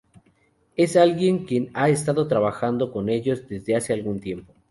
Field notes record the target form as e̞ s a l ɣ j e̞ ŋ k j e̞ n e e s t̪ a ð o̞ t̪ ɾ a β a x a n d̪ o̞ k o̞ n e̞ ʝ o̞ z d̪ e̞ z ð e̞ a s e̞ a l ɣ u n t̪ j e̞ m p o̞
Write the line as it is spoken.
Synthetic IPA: e̞ s a l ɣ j e̞ ŋ k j e̞ n a e s t̪ a ð o̞ t̪ ɾ a β a x a n d̪ o̞ k o̞ n e̞ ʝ o̞ z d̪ e̞ z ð e̞ a s e̞ a l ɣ u n t̪ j e̞ m p o̞